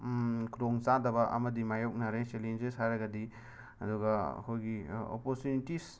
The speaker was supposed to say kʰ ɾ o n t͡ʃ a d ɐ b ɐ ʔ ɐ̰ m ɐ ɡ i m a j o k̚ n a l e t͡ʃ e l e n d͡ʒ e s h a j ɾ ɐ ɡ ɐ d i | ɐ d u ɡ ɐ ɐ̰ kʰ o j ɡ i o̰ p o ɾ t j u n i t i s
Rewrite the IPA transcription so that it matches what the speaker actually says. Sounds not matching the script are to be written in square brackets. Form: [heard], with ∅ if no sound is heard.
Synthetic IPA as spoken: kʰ ɾ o [ŋ] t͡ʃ a d ɐ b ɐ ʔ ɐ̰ m ɐ [d] i m a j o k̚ n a [ɾ] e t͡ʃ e l e n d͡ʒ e s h a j ɾ ɐ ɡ ɐ d i | ɐ d u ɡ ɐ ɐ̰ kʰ o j ɡ i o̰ p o ɾ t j u n i t i s

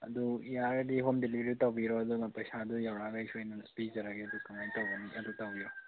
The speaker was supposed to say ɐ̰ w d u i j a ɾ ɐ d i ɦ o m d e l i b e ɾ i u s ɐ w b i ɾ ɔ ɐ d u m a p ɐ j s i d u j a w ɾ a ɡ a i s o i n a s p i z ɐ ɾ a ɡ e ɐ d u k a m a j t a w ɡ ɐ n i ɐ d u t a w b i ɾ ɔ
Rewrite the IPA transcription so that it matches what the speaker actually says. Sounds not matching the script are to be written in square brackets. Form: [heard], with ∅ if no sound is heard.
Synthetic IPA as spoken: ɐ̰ [∅] d u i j a ɾ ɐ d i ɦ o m d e l i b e ɾ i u [t] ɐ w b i ɾ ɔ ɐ d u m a p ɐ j s [a] d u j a w ɾ a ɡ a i s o [j] n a s p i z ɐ ɾ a ɡ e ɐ d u k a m a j t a w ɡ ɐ n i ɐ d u t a w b i ɾ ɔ

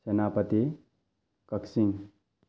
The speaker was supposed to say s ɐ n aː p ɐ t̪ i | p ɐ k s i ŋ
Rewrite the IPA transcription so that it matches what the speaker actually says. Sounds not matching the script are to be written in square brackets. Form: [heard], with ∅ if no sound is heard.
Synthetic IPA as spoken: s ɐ n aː p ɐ t̪ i | [k] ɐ k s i ŋ

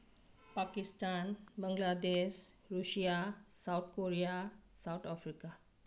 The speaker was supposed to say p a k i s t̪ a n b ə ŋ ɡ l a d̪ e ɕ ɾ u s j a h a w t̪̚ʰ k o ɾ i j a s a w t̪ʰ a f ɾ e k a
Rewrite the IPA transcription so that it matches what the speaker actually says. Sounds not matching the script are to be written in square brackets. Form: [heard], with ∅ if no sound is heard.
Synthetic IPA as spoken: p a k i s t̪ a n b ə ŋ ɡ l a d̪ e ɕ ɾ u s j a [s] a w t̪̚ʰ k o ɾ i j a s a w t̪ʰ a f ɾ [i] k a

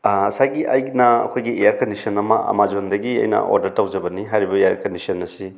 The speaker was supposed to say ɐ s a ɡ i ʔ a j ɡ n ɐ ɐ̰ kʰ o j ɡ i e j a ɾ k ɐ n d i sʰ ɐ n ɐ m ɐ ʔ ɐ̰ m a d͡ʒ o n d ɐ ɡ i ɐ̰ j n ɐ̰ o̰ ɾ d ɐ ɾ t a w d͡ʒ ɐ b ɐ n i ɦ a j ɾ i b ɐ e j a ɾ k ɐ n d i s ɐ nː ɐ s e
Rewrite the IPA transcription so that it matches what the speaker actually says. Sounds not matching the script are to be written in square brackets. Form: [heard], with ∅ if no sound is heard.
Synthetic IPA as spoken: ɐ s a ɡ i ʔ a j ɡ n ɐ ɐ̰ kʰ o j ɡ i e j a ɾ k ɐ n d i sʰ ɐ n ɐ m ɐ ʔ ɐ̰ m a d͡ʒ o n d ɐ ɡ i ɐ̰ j n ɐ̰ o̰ ɾ d ɐ ɾ t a w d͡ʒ ɐ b ɐ n i ɦ a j ɾ i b ɐ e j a ɾ k ɐ n d i s ɐ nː ɐ s [i]

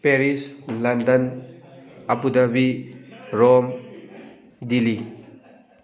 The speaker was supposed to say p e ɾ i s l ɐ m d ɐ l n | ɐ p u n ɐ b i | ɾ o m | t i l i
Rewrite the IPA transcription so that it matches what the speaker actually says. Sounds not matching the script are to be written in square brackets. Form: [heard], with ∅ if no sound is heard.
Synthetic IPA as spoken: p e ɾ i s l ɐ [n] d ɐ [∅] n | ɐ p u [d] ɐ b i | ɾ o m | [d] i l i

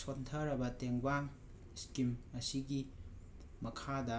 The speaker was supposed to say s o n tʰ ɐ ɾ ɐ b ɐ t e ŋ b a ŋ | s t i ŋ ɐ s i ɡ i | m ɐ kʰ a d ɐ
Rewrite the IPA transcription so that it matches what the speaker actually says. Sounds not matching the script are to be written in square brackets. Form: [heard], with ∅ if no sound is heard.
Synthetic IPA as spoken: s o n tʰ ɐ ɾ ɐ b ɐ t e ŋ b a ŋ | s [k] i [m] ɐ s i ɡ i | m ɐ kʰ a d ɐ

